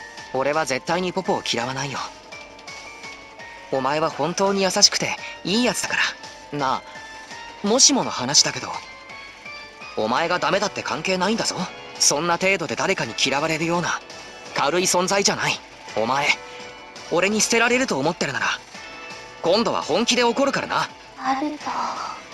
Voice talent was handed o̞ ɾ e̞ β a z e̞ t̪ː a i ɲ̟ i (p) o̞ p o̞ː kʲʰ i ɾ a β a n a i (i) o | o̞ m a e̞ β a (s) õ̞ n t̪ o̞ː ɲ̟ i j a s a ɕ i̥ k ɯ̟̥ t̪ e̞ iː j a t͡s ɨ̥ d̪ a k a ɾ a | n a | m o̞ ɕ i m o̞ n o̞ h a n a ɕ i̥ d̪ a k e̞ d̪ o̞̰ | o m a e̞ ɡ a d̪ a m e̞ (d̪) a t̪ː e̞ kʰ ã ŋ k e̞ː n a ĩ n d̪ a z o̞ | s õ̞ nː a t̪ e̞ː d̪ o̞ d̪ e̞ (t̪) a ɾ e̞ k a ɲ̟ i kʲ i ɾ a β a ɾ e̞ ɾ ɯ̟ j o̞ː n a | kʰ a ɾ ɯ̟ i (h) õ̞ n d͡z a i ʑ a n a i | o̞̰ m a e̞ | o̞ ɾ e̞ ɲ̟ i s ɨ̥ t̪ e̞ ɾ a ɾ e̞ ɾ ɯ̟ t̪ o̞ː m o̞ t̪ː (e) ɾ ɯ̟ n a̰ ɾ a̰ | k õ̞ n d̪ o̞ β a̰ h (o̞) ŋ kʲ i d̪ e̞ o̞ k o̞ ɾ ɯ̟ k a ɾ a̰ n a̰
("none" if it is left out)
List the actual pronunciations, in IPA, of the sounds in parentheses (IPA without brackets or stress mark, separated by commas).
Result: p, j, h, d̪, d̪, s, e, õ̞